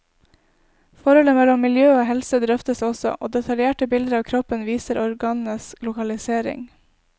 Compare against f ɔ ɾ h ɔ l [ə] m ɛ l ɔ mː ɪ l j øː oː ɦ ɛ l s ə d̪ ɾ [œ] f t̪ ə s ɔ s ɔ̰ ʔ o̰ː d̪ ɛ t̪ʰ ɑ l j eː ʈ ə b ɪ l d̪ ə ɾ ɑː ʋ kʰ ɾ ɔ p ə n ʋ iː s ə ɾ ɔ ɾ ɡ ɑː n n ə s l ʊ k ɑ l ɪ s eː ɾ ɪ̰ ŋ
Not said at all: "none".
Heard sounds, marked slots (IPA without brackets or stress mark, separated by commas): ə, œ